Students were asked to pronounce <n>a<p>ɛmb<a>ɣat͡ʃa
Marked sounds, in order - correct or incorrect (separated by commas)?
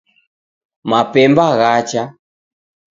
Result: incorrect, correct, correct